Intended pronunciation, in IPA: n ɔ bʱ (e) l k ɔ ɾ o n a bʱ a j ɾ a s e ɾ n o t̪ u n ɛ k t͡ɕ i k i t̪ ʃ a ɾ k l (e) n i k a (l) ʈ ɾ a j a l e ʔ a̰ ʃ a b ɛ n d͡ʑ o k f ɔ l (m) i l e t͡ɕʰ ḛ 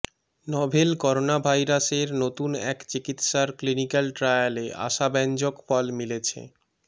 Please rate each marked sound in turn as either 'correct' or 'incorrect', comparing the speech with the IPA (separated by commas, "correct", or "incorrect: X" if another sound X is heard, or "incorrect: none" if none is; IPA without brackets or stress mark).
correct, incorrect: i, correct, correct